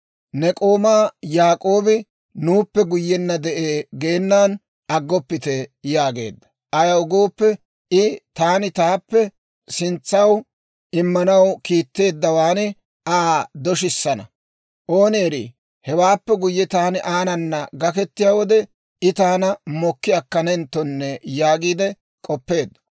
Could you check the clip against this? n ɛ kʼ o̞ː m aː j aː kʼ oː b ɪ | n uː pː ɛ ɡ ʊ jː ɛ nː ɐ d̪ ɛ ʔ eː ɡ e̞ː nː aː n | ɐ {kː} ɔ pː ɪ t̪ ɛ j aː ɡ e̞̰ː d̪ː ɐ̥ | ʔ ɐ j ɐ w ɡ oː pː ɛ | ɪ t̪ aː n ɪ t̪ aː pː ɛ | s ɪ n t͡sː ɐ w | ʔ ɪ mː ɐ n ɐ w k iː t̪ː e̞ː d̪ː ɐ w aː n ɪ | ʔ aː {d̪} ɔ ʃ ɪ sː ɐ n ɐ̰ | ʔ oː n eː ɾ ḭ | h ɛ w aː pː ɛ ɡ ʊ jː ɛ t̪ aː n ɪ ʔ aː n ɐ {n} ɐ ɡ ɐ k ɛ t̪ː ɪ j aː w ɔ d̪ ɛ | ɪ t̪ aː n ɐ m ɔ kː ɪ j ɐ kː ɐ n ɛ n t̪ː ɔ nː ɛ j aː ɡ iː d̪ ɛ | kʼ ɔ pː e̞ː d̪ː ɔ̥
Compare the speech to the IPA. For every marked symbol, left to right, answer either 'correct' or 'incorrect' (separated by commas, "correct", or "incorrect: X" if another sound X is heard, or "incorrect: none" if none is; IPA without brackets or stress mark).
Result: incorrect: ɡː, correct, incorrect: nː